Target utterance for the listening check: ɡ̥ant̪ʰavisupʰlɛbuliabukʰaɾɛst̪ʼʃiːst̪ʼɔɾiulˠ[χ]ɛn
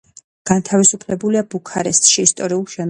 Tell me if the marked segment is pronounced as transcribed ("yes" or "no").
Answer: no